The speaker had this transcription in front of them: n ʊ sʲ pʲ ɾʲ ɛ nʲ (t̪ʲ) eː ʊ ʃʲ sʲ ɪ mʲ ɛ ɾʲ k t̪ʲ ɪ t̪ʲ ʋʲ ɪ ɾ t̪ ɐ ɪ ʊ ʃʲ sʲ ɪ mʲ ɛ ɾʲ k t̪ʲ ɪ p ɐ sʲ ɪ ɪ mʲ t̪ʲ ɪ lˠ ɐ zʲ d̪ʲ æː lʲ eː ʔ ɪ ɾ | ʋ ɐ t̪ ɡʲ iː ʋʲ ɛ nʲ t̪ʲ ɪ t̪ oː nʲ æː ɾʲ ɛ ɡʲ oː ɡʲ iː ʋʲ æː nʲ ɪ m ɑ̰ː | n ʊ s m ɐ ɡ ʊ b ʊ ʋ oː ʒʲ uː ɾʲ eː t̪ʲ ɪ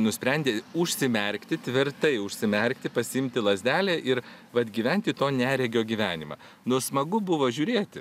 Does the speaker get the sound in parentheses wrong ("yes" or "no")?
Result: yes